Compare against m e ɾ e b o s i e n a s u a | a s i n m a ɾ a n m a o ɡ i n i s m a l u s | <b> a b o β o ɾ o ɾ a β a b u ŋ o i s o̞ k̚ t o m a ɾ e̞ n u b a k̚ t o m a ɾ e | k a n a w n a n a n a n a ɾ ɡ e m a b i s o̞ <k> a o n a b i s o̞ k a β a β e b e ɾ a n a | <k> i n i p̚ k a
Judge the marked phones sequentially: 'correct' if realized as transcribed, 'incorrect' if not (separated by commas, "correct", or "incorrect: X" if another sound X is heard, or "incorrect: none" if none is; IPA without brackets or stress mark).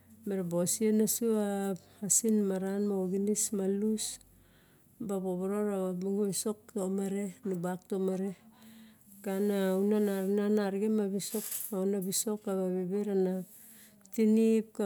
correct, correct, incorrect: t